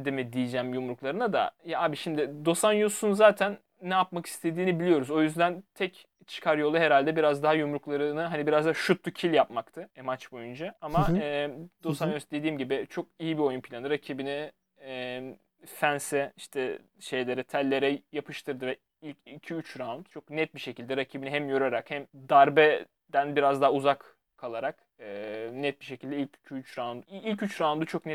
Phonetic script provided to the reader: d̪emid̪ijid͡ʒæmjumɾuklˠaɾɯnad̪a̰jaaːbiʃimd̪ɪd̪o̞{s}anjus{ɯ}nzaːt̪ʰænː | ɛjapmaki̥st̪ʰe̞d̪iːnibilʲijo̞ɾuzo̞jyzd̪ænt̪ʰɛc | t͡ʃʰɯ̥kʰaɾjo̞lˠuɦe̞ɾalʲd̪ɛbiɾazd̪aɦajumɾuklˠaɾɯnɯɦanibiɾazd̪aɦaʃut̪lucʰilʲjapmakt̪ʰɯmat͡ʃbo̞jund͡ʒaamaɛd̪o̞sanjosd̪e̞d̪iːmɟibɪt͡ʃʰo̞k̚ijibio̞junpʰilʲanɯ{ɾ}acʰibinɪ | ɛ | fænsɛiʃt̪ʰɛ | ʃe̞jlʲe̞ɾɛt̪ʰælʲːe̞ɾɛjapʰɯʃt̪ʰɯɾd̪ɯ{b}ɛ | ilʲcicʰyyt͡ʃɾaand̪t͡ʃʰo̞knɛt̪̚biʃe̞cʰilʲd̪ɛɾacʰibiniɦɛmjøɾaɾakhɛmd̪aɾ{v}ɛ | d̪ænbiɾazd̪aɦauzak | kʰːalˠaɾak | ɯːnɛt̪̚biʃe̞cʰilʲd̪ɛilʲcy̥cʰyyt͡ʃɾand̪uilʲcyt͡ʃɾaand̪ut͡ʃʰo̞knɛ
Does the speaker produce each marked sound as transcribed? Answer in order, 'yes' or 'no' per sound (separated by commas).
yes, no, yes, no, no